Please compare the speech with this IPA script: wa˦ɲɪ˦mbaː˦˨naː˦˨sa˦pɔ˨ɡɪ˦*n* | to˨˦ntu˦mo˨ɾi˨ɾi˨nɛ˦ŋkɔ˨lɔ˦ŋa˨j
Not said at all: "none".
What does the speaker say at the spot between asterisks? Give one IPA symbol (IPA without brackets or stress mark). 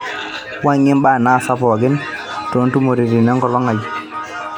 n